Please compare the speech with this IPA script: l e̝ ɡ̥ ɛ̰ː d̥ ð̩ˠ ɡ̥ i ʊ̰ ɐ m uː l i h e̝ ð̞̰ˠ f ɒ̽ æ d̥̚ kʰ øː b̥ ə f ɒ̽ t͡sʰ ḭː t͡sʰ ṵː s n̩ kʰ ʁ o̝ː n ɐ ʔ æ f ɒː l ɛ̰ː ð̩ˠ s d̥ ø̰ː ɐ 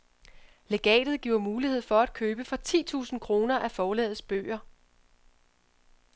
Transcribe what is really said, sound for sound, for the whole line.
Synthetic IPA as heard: l e̝ ɡ̥ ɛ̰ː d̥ ð̩ˠ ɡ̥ i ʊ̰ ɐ m uː l i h e̝ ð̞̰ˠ f ɒ̽ æ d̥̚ kʰ øː b̥ ə f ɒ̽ t͡sʰ ḭː t͡sʰ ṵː s n̩ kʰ ʁ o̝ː n ɐ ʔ æ f ɒː l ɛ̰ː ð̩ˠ s b̥ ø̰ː ɐ